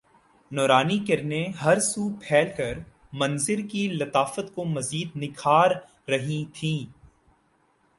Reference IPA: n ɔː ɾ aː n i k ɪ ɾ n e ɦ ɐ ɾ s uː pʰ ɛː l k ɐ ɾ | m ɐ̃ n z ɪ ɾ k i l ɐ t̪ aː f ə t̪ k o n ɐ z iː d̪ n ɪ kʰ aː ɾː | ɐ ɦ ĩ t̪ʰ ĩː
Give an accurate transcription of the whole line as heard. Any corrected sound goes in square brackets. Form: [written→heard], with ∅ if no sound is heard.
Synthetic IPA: n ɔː ɾ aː n i k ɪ ɾ n e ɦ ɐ ɾ s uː pʰ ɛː l k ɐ ɾ | m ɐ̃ n z ɪ ɾ k i l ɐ t̪ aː f ə t̪ k o [n→m] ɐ z iː d̪ n ɪ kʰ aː ɾː | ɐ ɦ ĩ t̪ʰ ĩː